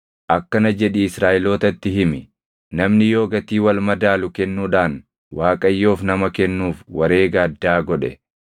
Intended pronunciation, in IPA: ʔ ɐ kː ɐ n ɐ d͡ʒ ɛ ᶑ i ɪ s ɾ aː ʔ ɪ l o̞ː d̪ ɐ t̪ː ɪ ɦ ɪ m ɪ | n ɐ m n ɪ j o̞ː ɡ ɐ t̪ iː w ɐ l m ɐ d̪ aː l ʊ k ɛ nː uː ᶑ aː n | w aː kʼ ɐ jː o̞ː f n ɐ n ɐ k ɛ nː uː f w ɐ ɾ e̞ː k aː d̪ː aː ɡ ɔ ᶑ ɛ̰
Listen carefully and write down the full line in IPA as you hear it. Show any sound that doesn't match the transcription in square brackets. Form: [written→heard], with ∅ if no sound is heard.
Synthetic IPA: ʔ ɐ kː ɐ n ɐ d͡ʒ ɛ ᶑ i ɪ s ɾ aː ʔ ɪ l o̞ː [d̪→t̪] ɐ t̪ː ɪ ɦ ɪ m ɪ | n ɐ m n ɪ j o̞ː ɡ ɐ t̪ iː w ɐ l m ɐ d̪ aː l ʊ k ɛ nː uː ᶑ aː n | w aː kʼ ɐ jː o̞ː f n ɐ [n→m] ɐ k ɛ nː uː f w ɐ ɾ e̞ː [k→ɡ] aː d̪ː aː ɡ ɔ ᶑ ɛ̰

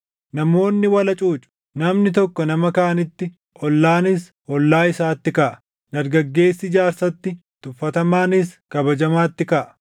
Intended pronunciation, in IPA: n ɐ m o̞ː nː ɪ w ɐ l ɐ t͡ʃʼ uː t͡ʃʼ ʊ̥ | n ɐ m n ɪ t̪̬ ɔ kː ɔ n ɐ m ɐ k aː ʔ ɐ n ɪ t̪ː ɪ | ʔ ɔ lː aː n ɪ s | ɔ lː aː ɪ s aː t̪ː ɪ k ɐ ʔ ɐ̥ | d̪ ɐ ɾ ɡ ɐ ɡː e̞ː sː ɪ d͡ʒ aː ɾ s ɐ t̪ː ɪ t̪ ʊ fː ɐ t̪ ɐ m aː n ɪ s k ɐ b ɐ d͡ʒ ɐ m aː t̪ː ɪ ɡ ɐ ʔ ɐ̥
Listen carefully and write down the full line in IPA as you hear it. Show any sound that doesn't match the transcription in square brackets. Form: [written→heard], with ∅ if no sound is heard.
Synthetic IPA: n ɐ m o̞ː nː ɪ w ɐ l ɐ t͡ʃʼ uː t͡ʃʼ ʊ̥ | n ɐ m n ɪ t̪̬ ɔ kː ɔ n ɐ m ɐ k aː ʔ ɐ n ɪ t̪ː ɪ | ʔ ɔ lː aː n ɪ s | ɔ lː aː ɪ s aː t̪ː ɪ k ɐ ʔ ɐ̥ | d̪ ɐ ɾ ɡ ɐ ɡː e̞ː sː ɪ d͡ʒ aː ɾ s ɐ t̪ː ɪ t̪ ʊ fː ɐ t̪ ɐ m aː n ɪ s k ɐ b ɐ d͡ʒ ɐ m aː t̪ː ɪ [ɡ→k] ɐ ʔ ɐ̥

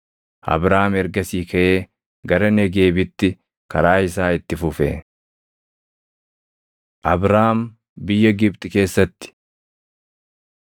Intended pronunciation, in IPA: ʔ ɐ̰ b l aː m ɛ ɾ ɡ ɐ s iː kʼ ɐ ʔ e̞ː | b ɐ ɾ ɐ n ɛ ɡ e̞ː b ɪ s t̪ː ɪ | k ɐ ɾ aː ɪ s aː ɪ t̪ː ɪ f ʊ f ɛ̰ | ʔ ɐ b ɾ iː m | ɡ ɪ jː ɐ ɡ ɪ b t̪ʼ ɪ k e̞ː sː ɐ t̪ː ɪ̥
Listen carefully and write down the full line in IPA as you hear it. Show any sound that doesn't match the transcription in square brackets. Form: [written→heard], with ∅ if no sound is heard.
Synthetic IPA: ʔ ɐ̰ b [l→ɾ] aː m ɛ ɾ ɡ ɐ s iː [kʼ→k] ɐ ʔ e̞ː | [b→ɡ] ɐ ɾ ɐ n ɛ ɡ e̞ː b ɪ [s→∅] t̪ː ɪ | k ɐ ɾ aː ɪ s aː ɪ t̪ː ɪ f ʊ f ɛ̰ | ʔ ɐ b ɾ [iː→aː] m | [ɡ→b] ɪ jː ɐ ɡ ɪ b t̪ʼ ɪ k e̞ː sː ɐ t̪ː ɪ̥

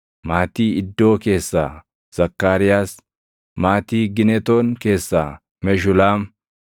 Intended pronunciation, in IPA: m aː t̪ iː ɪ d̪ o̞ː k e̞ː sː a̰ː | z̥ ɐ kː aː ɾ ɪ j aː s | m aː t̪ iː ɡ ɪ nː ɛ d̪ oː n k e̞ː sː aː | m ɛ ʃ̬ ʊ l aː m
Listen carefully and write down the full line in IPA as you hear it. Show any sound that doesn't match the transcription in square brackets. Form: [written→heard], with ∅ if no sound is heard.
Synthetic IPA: m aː t̪ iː ɪ [d̪→d̪ː] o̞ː k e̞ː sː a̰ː | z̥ ɐ kː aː ɾ ɪ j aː s | m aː t̪ iː ɡ ɪ [nː→n] ɛ [d̪→t̪] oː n k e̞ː sː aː | m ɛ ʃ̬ ʊ l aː m

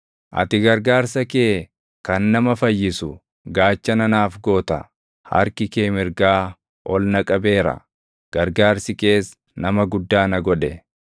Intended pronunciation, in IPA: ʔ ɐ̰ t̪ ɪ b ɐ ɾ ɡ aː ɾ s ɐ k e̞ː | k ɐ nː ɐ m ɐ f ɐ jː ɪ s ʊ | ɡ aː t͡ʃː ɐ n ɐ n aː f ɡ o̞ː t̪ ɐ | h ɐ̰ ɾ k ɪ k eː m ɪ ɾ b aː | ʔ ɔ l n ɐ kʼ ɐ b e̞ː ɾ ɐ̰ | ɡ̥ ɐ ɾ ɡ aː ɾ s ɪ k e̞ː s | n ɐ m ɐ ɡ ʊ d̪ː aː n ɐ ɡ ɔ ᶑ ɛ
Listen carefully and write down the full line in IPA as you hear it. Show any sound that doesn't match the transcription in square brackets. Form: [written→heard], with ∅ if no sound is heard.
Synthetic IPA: ʔ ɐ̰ t̪ ɪ [b→ɡ] ɐ ɾ ɡ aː ɾ s ɐ k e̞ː | k ɐ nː ɐ m ɐ f ɐ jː ɪ s ʊ | ɡ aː t͡ʃː ɐ n ɐ n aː f ɡ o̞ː t̪ ɐ | h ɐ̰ ɾ k ɪ k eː m ɪ ɾ [b→ɡ] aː | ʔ ɔ l n ɐ kʼ ɐ b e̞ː ɾ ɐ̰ | ɡ̥ ɐ ɾ ɡ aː ɾ s ɪ k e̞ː s | n ɐ m ɐ ɡ ʊ d̪ː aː n ɐ ɡ ɔ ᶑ ɛ

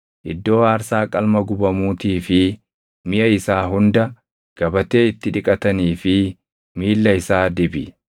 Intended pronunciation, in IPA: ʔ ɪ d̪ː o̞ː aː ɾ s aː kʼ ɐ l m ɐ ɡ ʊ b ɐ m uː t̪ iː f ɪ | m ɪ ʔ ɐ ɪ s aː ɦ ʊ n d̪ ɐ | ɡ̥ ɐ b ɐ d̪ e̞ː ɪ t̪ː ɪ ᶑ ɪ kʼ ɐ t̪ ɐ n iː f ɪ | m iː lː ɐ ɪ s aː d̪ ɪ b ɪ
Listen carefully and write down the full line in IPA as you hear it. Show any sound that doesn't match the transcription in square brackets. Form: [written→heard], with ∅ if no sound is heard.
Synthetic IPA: ʔ ɪ d̪ː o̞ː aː ɾ s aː kʼ ɐ l m ɐ ɡ ʊ b ɐ m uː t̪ iː f ɪ | m ɪ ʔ ɐ ɪ s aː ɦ ʊ n d̪ ɐ | ɡ̥ ɐ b ɐ [d̪→t̪] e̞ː ɪ t̪ː ɪ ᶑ ɪ kʼ ɐ t̪ ɐ n iː f ɪ | m iː lː ɐ ɪ s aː d̪ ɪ b ɪ

